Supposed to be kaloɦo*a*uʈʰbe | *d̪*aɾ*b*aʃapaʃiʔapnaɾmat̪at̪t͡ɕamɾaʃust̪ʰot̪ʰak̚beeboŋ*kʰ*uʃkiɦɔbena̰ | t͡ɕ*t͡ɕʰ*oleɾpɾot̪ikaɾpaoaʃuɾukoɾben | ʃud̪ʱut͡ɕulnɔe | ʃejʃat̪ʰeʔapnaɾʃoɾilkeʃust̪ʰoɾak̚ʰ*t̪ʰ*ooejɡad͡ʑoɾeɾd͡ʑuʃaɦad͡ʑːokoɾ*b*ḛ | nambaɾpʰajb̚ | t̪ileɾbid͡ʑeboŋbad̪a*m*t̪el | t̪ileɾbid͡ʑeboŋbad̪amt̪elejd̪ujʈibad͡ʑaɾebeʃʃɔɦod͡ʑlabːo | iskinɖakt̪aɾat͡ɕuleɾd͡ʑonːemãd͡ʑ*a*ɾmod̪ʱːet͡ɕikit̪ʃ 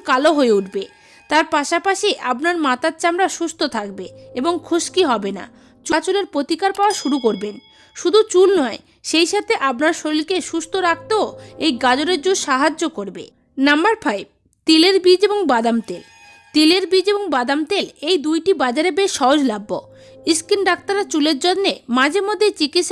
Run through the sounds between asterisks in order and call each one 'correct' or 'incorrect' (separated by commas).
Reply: incorrect, incorrect, incorrect, correct, incorrect, incorrect, correct, correct, incorrect